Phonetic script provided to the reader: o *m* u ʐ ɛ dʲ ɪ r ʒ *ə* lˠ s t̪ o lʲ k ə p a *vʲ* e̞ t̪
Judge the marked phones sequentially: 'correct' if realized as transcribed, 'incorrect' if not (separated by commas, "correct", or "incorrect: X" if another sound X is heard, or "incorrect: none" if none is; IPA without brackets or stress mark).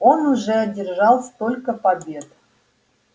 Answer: incorrect: n, incorrect: ɑ, incorrect: bʲ